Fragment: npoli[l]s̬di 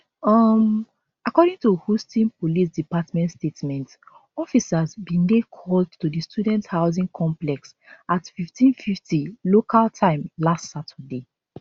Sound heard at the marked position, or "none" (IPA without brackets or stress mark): none